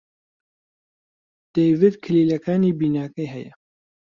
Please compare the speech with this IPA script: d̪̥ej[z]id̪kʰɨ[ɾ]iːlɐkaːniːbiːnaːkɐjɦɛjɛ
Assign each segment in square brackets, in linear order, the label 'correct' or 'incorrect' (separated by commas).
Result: incorrect, incorrect